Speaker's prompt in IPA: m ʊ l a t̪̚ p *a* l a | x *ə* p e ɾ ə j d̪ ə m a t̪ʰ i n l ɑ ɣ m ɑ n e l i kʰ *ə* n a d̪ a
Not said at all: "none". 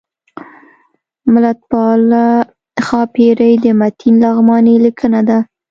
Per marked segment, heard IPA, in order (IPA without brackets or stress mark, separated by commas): ɑ, ɑ, ə